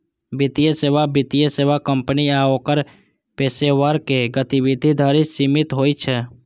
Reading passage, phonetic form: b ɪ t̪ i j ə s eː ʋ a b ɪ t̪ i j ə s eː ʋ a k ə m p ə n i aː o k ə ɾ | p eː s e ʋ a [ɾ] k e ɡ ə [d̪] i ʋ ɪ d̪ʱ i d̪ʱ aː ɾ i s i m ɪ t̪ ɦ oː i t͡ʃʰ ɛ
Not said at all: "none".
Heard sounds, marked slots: ɾ, t̪

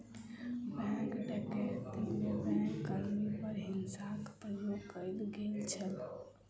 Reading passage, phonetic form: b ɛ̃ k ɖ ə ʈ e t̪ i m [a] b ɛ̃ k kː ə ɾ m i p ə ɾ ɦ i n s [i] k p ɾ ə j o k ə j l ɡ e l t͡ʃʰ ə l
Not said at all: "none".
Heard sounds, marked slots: e, a

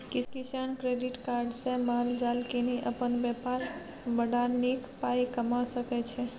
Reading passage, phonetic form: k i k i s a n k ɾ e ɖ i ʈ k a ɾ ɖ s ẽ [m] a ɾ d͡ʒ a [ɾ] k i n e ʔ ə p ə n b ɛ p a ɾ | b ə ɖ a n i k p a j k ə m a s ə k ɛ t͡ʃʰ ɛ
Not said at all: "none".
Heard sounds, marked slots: m, l

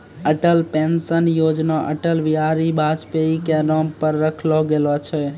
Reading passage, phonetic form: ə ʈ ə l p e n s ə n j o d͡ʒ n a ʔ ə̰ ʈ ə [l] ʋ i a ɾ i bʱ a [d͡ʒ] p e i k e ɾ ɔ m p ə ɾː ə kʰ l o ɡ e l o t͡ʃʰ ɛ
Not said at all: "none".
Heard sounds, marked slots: l, d͡ʒ

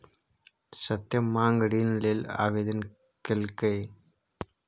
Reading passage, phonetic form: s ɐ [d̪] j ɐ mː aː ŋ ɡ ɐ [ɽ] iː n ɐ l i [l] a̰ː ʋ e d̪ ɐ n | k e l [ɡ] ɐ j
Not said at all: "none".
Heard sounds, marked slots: t̪, ɽ, l, k

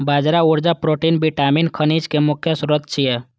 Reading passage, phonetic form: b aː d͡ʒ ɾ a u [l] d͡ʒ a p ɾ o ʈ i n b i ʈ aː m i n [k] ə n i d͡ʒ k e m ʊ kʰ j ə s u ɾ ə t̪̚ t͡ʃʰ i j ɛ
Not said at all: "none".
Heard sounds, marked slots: ɾ, kʰ

